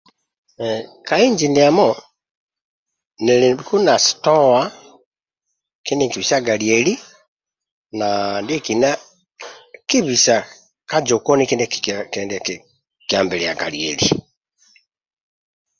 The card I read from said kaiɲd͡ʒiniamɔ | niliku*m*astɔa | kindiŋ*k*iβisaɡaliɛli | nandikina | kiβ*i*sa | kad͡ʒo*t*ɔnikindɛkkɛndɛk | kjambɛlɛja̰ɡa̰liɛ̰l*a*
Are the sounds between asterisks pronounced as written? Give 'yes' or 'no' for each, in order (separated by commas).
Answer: no, yes, yes, no, no